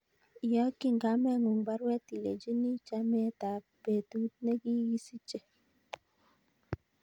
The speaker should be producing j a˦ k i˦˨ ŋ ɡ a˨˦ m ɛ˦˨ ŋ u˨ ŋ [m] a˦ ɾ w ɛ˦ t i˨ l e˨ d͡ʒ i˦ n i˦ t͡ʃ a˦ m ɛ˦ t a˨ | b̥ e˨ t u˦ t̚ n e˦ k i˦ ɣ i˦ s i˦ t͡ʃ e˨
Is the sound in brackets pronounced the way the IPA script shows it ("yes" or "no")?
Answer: no